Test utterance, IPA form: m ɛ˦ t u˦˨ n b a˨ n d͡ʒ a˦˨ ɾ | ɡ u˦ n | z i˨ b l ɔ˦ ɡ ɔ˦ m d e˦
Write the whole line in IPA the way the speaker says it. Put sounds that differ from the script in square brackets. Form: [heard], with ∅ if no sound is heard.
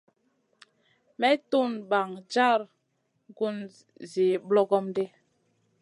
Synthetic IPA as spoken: m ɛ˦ t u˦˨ n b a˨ [ŋ] d͡ʒ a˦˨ ɾ | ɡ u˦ n | z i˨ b l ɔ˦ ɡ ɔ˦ m d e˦